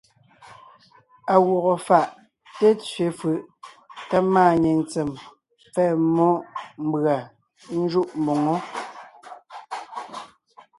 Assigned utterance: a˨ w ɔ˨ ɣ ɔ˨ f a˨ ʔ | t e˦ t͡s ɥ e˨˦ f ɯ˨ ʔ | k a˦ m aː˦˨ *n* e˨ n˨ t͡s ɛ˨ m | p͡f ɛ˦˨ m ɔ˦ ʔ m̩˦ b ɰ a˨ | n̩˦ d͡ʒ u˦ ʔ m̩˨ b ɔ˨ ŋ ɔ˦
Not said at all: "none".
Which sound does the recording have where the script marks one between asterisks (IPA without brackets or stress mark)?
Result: ɲ